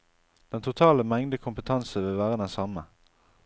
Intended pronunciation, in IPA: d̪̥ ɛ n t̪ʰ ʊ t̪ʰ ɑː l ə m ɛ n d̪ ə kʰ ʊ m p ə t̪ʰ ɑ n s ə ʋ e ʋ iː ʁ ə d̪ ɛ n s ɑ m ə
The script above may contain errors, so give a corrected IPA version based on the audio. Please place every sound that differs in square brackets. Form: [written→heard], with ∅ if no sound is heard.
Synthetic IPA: d̪̥ ɛ n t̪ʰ ʊ t̪ʰ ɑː l ə m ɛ [n→ŋ] d̪ ə kʰ ʊ m p ə t̪ʰ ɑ n s ə ʋ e ʋ [iː→æː] ʁ ə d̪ ɛ n s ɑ m ə